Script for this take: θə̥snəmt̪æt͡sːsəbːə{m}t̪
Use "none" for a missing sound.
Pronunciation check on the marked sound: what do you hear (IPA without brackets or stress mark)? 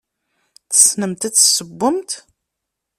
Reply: m